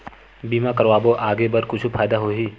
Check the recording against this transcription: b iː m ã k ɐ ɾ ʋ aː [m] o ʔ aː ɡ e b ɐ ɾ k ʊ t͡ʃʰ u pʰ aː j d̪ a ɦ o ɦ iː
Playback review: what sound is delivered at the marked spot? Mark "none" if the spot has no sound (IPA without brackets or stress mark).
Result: b